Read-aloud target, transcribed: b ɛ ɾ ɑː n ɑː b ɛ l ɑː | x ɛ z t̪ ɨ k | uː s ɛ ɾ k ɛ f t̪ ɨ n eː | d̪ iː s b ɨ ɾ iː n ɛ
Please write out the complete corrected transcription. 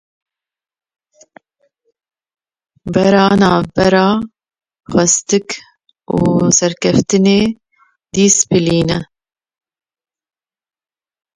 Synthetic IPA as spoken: b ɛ ɾ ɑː n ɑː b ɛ ɾ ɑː | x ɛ s t̪ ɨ k | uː s ɛ ɾ k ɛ f t̪ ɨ n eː | d̪ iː s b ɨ l iː n ɛ